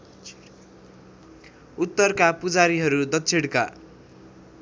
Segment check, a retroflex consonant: present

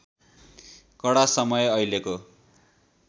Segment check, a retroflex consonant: present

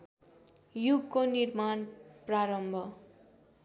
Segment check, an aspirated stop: absent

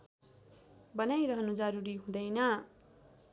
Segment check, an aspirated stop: absent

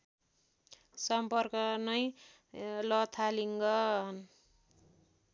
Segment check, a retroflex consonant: absent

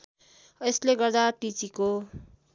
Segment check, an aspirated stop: absent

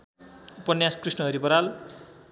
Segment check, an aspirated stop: absent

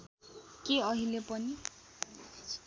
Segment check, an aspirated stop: absent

